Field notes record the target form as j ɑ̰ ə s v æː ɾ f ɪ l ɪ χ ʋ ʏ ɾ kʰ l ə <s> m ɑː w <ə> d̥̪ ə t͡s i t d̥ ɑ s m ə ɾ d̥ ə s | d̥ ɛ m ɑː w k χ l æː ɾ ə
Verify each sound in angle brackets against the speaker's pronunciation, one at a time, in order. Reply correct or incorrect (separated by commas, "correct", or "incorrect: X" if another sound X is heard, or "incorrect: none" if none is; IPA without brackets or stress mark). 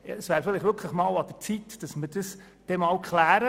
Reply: incorrect: χ, incorrect: ɑ